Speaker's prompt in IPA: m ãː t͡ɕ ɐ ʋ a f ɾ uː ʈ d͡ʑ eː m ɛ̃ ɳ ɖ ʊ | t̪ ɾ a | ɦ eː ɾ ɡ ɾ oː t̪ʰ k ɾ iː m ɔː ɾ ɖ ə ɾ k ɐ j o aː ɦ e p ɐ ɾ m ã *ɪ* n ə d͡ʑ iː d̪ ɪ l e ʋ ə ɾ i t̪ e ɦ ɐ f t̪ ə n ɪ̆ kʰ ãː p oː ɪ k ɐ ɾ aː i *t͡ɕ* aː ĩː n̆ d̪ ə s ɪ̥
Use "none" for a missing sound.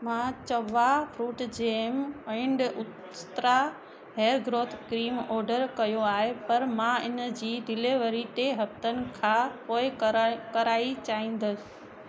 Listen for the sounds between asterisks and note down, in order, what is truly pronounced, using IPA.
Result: ɪ, t͡ɕ

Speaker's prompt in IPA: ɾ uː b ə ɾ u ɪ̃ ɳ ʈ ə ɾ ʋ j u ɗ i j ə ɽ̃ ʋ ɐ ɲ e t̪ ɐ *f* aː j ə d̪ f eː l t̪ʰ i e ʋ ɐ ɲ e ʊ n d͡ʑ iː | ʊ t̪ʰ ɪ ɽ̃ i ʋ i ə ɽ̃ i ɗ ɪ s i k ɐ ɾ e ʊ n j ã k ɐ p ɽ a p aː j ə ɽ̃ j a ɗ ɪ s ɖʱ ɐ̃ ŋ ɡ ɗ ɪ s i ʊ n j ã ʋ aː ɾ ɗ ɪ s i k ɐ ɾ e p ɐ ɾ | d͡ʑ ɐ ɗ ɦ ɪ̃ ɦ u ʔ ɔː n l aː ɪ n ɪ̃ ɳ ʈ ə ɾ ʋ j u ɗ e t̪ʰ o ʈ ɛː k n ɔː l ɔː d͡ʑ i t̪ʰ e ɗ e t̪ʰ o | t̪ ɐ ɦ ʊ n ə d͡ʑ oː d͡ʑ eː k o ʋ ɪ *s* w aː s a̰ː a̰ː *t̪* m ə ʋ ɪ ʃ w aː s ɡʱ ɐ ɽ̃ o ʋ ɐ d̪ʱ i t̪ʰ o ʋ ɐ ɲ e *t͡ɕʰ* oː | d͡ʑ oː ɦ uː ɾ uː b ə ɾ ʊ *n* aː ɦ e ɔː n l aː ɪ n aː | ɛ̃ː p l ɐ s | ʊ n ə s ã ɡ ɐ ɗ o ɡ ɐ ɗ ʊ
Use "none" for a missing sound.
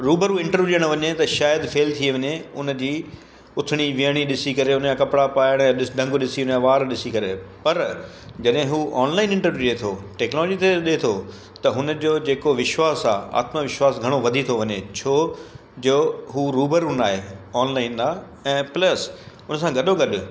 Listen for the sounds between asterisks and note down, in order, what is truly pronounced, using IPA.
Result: ʃ, ʃ, t̪, t͡ɕʰ, n

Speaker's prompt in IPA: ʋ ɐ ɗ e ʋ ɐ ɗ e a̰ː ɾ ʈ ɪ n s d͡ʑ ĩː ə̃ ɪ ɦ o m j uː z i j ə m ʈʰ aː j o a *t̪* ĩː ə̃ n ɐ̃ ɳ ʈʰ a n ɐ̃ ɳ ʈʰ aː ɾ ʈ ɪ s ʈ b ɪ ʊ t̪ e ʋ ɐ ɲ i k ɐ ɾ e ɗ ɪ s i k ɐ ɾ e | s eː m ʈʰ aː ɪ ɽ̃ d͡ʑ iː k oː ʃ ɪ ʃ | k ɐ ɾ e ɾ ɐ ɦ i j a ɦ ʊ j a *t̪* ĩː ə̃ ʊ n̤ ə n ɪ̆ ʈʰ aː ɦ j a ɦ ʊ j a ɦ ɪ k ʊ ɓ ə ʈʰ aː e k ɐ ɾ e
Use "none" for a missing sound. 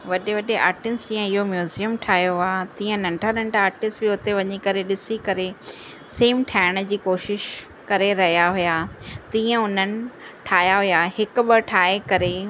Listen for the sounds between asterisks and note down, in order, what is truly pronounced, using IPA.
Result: t̪, t̪

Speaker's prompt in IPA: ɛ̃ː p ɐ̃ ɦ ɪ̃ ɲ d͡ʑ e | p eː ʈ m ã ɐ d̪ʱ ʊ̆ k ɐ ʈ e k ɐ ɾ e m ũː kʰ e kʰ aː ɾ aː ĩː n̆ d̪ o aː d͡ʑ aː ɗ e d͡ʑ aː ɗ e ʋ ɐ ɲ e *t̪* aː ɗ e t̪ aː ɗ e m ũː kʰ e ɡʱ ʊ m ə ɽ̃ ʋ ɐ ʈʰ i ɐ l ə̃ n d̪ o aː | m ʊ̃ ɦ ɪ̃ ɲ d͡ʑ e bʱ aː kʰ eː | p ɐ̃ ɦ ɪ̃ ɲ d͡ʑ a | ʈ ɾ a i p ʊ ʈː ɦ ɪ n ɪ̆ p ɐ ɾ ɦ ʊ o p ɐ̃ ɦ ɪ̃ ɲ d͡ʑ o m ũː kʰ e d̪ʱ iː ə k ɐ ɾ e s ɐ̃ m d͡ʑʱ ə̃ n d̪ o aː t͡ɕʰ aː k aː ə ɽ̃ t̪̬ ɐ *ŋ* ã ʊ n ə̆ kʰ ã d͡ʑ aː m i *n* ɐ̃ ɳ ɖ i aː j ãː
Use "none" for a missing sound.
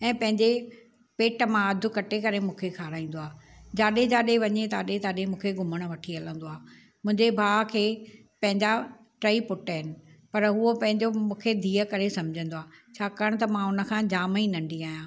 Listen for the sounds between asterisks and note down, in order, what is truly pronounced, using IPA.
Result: t̪, m, n

